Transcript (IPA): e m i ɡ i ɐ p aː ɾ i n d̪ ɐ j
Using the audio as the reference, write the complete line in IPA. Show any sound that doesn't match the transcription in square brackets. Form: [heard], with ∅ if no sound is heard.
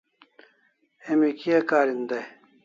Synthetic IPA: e m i [k] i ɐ [k] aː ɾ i n d̪ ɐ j